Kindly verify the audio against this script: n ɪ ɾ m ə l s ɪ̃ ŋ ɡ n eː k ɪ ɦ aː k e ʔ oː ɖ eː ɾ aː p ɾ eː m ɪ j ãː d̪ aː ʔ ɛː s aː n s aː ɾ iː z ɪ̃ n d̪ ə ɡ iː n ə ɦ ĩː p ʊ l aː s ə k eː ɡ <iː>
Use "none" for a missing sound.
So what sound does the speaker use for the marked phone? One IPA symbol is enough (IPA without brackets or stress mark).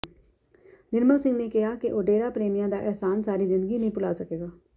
aː